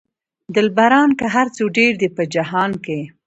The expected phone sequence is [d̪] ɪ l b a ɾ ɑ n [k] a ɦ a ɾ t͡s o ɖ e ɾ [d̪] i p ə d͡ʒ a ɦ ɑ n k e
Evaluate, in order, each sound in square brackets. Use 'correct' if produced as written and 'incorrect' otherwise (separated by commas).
correct, correct, correct